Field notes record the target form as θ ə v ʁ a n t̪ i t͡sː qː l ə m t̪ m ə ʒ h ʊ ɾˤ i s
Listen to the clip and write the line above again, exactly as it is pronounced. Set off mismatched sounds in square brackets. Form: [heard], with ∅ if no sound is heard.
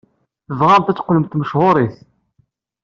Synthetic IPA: θ ə v ʁ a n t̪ [æ] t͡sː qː l ə m t̪ m ə [ʃ] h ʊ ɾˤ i [θ]